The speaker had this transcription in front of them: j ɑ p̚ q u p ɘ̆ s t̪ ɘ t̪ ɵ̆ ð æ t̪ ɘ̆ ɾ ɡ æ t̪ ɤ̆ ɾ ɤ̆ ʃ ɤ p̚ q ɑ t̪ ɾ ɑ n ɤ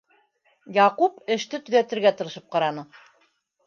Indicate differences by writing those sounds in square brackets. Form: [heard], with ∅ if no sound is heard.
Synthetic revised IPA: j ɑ [∅] q u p ɘ̆ [ʃ] t̪ ɘ t̪ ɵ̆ ð æ t̪ ɘ̆ ɾ ɡ æ t̪ ɤ̆ ɾ ɤ̆ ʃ ɤ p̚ q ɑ [∅] ɾ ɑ n ɤ